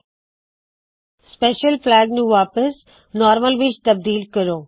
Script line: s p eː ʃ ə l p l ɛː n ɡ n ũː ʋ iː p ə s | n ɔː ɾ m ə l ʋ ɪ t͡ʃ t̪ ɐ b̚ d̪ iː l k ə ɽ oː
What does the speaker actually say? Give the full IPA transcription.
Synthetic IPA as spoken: s p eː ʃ ə l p l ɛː ɡ n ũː ʋ aː p ə s | n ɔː ɾ m ə l ʋ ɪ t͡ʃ t̪ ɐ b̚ d̪ iː l k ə ɾ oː